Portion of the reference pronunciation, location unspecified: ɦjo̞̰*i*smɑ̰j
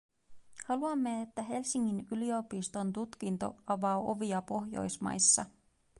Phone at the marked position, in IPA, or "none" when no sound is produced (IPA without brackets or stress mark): j